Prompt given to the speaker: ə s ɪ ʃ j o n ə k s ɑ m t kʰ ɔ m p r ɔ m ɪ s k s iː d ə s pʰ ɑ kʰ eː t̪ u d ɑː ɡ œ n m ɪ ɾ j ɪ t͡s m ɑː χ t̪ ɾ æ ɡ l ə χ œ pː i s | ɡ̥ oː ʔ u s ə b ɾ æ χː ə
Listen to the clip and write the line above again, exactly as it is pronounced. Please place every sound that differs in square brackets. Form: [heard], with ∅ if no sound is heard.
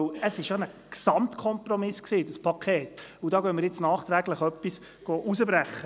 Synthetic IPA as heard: ə s ɪ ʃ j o n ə k s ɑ m t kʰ ɔ m p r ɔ m ɪ s k s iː d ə s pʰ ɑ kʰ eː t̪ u d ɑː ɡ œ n m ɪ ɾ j ɪ t͡s [n] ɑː χ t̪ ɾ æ ɡ l ə χ œ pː i s | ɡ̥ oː ʔ u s ə b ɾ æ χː ə